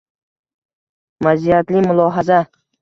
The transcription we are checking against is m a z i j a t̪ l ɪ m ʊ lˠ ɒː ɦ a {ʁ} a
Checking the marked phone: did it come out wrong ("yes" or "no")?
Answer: yes